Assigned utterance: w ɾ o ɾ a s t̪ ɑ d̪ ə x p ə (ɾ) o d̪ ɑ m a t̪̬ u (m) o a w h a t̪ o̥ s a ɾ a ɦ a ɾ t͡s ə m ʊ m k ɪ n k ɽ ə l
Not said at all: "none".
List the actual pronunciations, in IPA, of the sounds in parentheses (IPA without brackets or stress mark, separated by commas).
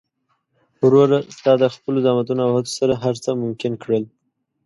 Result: l, n